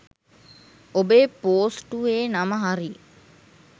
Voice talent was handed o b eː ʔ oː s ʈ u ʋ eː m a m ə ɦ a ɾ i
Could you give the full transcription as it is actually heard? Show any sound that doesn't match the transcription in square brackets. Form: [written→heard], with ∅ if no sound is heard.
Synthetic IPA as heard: o b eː [ʔ→p] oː s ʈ u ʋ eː [m→n] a m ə ɦ a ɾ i